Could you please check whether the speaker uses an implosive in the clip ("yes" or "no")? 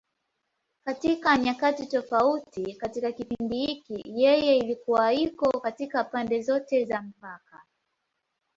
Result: no